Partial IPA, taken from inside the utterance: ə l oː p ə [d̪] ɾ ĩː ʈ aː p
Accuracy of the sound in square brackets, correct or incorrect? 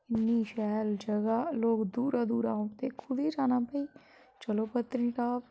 incorrect